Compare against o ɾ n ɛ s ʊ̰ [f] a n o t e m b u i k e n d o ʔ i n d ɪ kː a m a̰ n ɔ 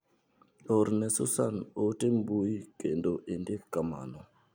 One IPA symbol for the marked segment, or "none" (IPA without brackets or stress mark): s